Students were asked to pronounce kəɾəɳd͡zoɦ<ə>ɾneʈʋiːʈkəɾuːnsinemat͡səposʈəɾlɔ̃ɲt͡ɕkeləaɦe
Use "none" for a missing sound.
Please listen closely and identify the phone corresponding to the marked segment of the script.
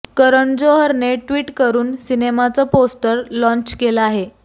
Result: ə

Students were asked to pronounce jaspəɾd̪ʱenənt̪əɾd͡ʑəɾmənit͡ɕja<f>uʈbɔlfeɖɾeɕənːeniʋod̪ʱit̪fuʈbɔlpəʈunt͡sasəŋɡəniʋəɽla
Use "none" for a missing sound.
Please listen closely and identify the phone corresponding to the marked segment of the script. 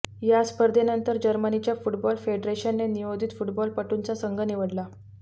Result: f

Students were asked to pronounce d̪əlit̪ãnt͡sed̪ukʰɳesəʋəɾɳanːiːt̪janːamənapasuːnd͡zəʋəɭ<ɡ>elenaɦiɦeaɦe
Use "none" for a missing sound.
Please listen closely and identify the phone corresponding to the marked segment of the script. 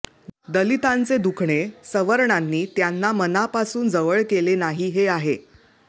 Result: k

